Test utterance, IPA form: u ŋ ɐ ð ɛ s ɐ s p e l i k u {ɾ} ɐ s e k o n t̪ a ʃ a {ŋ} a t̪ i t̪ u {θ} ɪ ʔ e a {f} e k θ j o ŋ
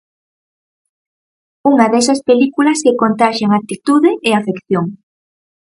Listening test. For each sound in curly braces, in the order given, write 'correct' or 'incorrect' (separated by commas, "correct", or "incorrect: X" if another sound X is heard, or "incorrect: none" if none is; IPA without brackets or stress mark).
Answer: incorrect: l, correct, incorrect: ð, correct